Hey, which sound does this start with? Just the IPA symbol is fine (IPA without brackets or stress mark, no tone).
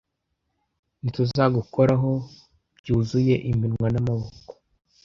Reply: n